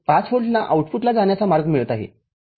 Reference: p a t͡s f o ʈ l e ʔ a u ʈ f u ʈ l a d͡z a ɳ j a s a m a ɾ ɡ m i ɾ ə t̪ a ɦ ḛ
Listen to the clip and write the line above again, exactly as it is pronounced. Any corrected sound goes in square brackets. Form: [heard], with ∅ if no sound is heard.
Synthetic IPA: p a t͡s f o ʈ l [a] ʔ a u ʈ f u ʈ l a d͡z a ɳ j a [t͡s] a m a ɾ ɡ m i [ɭ] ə t̪ a ɦ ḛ

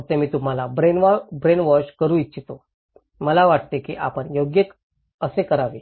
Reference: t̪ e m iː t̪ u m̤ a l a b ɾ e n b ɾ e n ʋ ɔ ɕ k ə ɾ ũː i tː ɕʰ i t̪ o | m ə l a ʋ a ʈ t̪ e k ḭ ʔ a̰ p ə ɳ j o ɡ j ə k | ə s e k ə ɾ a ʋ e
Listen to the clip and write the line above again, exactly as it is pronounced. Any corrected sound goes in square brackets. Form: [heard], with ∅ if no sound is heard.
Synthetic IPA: t̪ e m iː t̪ u m̤ a l a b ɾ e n b ɾ e n ʋ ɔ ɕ k ə ɾ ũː i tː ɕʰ i t̪ o | m ə l a ʋ a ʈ t̪ e k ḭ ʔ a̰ p ə ɳ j o ɡ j ə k | ə s e k ə ɾ a ʋ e

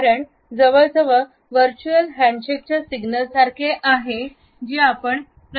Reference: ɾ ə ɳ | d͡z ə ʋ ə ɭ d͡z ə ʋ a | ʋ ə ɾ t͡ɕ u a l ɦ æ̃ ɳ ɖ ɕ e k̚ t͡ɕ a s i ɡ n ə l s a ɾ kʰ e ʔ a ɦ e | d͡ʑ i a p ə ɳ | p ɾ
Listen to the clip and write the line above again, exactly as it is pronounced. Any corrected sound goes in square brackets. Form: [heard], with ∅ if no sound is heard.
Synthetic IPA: ɾ ə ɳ | d͡z ə ʋ ə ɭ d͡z ə ʋ [ə] | ʋ ə ɾ t͡ɕ u [ə] l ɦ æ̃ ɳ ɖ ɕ e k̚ t͡ɕ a s i ɡ n ə l s a ɾ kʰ e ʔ a ɦ e | d͡ʑ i a p ə ɳ | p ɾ

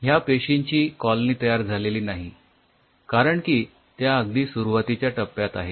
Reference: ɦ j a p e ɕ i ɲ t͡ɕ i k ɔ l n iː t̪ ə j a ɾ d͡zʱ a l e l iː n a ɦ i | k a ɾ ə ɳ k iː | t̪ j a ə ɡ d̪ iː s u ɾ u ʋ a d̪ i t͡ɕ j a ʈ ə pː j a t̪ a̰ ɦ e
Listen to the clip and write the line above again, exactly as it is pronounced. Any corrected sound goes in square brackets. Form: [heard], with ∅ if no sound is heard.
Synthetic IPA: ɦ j a p e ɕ i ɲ t͡ɕ [iː] k ɔ l n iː t̪ ə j a ɾ d͡zʱ a l e l iː n a ɦ i | k a ɾ ə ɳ k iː | t̪ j a ə ɡ d̪ iː s u ɾ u ʋ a [t̪] i t͡ɕ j a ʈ ə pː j a t̪ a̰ ɦ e

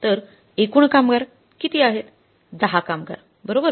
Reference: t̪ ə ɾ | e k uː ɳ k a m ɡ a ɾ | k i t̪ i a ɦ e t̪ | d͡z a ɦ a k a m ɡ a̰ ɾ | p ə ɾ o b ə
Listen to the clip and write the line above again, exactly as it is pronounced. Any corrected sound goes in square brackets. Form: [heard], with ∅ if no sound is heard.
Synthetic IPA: t̪ ə ɾ | e k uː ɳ k a m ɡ a ɾ | k i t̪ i a ɦ e t̪ | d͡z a ɦ a k a m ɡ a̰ ɾ | [b] ə ɾ o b ə

